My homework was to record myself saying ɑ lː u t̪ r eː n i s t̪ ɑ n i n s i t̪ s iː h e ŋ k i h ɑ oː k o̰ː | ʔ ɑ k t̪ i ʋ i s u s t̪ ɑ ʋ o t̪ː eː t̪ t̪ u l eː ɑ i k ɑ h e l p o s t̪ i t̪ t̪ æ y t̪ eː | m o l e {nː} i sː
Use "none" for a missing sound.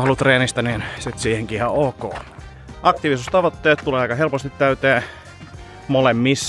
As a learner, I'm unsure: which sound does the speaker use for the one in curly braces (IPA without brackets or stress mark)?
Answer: mː